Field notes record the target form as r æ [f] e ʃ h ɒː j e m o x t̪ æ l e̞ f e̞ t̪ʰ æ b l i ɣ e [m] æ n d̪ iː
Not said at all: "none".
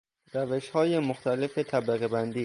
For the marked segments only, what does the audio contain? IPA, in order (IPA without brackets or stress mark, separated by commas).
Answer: v, b